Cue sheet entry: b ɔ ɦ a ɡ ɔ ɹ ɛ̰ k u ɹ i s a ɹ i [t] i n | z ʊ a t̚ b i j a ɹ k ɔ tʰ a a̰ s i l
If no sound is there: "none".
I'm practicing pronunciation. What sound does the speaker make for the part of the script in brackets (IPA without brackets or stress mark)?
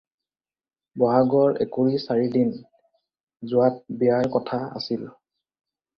d